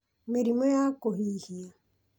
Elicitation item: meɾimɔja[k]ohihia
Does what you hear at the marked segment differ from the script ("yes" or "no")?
no